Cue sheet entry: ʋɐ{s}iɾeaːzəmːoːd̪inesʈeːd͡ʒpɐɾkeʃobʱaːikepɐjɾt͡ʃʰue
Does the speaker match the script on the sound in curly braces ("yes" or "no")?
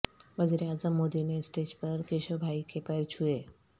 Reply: no